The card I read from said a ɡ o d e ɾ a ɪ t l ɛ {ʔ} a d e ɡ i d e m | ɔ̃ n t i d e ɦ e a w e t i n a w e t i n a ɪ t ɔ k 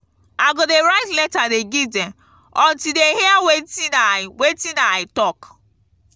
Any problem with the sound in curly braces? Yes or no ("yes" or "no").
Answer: yes